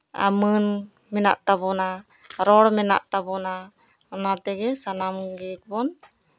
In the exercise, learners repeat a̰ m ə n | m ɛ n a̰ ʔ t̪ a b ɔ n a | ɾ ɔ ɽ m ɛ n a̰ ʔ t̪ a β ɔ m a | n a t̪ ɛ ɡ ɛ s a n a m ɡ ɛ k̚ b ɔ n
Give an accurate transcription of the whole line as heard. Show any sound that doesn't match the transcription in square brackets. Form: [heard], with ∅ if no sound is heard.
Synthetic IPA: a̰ m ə n | m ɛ n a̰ ʔ t̪ a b ɔ n a | ɾ ɔ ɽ m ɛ n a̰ ʔ t̪ a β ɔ [n] a | n a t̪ ɛ ɡ ɛ s a n a m ɡ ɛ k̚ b ɔ n